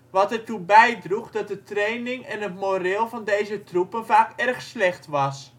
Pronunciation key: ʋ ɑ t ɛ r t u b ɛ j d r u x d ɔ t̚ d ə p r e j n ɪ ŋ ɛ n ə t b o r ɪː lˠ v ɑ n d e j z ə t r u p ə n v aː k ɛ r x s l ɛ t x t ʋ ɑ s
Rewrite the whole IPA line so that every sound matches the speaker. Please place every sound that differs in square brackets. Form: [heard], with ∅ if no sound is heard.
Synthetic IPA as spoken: ʋ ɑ t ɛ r t u b ɛ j d r u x d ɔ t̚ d ə [t] r e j n ɪ ŋ ɛ n ə t [m] o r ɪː lˠ v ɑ n d e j z ə t r u p ə n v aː k ɛ r x s l ɛ [∅] x t ʋ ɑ s